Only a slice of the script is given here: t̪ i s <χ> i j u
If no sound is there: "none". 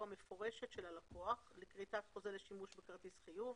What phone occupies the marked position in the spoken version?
χ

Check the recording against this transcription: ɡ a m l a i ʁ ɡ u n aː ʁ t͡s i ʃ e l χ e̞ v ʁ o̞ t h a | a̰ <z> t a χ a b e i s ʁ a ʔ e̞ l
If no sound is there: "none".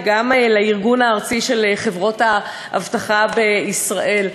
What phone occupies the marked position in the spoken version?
v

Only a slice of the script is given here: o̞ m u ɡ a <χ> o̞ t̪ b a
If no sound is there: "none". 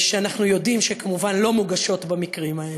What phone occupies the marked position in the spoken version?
ʃ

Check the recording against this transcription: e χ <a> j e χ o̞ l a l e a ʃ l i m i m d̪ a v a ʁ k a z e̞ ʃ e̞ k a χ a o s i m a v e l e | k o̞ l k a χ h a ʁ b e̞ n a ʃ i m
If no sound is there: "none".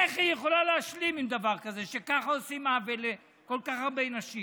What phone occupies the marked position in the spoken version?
i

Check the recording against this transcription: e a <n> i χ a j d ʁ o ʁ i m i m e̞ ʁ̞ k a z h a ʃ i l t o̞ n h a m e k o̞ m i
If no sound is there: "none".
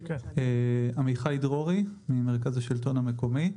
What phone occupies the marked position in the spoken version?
m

